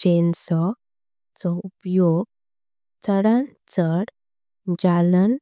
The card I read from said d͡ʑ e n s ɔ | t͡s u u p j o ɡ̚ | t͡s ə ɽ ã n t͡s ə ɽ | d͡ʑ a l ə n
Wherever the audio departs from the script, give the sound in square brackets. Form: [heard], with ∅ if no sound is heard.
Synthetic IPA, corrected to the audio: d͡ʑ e n s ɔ | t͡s [ɔ] u p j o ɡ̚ | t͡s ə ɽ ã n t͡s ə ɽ | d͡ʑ a l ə n